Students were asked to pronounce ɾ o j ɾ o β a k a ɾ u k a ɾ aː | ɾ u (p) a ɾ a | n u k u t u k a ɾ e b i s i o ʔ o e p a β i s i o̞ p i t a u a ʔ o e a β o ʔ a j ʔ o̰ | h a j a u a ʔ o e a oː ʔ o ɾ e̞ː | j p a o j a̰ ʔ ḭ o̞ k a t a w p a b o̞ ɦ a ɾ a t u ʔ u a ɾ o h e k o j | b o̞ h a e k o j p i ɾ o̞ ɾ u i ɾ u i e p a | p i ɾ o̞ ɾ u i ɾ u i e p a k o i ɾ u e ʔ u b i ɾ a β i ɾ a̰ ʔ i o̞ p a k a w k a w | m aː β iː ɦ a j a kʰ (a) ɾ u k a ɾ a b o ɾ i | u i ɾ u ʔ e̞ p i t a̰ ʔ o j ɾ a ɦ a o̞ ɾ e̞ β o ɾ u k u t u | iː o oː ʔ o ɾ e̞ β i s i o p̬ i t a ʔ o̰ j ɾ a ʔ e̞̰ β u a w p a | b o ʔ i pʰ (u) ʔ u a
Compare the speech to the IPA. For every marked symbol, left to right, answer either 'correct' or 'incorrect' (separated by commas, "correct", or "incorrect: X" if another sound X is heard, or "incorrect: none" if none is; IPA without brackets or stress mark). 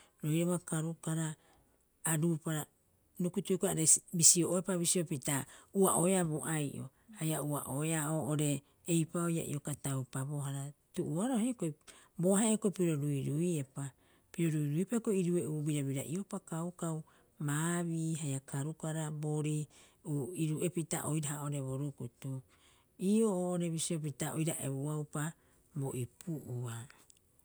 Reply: correct, correct, correct